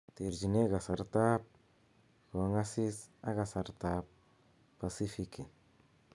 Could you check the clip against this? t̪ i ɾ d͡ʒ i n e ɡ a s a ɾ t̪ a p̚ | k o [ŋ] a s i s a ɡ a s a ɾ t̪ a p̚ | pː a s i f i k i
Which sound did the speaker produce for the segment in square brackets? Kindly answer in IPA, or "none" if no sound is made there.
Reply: ŋ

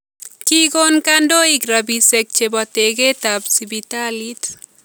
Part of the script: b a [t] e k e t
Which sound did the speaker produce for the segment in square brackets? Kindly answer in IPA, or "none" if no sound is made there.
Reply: t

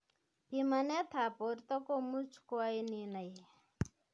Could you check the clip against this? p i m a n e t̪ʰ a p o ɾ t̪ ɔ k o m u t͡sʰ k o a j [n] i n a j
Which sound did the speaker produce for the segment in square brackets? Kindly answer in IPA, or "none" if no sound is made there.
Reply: n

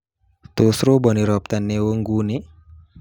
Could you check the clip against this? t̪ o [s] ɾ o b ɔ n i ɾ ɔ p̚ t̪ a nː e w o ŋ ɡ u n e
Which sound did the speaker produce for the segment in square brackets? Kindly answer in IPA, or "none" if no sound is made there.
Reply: s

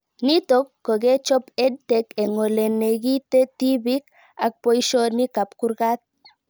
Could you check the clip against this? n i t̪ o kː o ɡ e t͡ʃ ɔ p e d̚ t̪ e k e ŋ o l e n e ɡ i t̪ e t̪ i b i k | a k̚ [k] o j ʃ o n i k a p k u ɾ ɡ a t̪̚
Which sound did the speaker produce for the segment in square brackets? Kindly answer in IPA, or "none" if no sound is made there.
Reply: p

